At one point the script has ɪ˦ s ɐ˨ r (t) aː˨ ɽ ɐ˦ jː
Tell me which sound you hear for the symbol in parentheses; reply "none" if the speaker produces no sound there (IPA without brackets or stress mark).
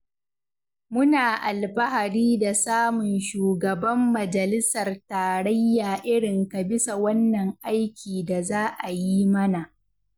t